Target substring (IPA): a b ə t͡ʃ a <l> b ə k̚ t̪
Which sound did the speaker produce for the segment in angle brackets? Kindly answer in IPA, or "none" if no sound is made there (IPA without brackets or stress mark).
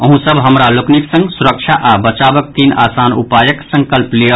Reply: none